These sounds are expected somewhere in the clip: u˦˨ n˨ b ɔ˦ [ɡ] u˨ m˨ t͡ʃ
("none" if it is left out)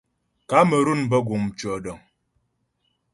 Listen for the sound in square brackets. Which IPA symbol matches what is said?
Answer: ɡ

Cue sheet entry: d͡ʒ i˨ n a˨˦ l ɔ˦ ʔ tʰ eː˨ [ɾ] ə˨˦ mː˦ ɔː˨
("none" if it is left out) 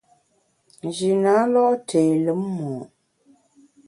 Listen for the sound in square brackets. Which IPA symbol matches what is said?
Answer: l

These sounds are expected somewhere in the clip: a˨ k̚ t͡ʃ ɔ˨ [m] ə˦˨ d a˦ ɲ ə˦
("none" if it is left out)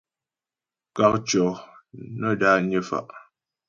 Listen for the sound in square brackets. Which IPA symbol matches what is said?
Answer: n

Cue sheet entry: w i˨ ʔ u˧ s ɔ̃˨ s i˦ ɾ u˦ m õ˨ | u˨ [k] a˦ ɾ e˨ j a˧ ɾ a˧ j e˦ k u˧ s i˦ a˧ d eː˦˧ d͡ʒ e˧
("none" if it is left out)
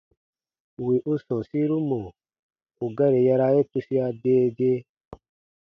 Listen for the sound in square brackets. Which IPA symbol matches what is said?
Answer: ɡ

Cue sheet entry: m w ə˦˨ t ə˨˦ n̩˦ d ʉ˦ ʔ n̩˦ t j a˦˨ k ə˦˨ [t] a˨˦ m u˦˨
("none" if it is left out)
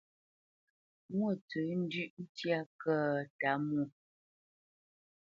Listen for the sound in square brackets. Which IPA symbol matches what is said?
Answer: t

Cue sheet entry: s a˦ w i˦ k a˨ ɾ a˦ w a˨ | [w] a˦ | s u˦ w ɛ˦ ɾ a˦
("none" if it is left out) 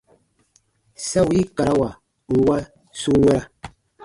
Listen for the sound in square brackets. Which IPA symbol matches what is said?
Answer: w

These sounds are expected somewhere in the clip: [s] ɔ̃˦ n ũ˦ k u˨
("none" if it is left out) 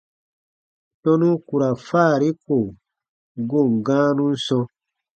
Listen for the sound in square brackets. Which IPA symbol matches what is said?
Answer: t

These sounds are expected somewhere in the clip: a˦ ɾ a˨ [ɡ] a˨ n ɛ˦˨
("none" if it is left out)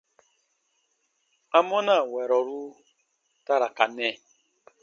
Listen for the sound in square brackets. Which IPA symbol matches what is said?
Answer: k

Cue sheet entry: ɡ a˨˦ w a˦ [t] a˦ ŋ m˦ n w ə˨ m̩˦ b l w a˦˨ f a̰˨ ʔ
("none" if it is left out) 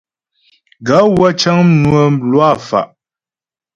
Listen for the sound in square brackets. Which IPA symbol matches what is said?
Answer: t͡ʃ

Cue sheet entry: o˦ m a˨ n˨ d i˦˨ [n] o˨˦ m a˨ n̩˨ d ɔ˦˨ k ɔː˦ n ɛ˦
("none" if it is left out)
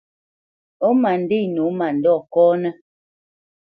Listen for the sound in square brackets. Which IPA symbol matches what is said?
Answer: n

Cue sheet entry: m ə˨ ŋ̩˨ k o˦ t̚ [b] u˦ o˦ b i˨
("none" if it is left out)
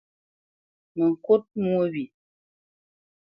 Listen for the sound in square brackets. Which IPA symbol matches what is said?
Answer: m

